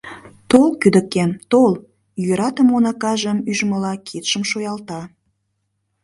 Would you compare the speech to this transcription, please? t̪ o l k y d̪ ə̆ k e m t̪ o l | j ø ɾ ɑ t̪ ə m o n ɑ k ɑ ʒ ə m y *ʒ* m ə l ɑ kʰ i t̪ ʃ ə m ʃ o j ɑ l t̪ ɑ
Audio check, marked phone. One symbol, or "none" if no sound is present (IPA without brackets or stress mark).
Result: ʒ